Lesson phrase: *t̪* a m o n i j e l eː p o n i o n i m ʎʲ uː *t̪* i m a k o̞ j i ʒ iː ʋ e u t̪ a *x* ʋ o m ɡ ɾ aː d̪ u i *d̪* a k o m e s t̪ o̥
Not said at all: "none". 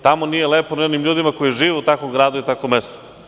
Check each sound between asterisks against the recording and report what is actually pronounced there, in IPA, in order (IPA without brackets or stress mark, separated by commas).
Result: t̪, d̪, k, t̪